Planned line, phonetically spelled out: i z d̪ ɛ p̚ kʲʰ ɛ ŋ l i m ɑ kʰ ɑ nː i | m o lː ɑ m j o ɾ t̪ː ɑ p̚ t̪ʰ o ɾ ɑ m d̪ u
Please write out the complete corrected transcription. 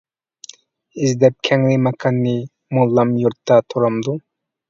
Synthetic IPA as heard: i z d̪ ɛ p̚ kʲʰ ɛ ŋ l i m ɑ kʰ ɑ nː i | m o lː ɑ m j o ɾ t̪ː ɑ t̪ʰ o ɾ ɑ m d̪ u